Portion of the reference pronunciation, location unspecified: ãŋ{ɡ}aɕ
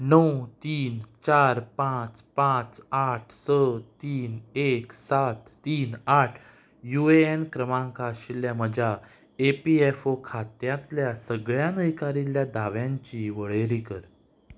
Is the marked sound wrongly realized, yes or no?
yes